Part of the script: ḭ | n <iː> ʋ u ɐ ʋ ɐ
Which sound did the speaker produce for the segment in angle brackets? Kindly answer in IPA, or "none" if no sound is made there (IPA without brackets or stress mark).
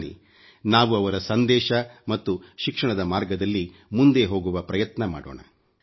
aː